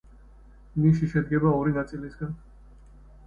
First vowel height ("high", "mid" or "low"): high